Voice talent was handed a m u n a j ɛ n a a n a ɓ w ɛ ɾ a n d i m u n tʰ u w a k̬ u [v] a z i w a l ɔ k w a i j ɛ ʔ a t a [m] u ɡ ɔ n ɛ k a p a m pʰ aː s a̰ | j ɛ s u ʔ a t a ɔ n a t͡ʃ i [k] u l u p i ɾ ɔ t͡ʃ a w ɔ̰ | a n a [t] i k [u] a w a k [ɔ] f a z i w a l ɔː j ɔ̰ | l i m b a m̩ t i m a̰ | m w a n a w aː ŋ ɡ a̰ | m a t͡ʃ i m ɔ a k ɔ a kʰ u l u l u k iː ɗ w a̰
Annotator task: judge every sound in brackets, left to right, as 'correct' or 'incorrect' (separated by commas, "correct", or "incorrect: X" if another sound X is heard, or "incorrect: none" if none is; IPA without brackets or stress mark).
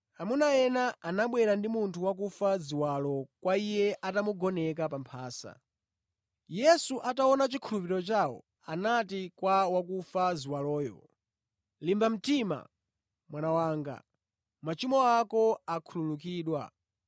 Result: incorrect: f, correct, incorrect: kʰ, correct, incorrect: w, incorrect: u